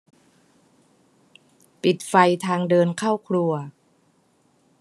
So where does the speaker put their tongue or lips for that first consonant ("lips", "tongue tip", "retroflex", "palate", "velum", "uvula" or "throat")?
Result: lips